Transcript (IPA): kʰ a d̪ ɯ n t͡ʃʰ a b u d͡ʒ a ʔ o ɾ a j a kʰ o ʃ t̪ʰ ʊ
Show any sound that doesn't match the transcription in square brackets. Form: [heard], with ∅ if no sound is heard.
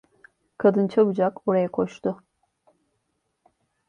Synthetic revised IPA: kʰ a d̪ ɯ n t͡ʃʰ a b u d͡ʒ a [k] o ɾ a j a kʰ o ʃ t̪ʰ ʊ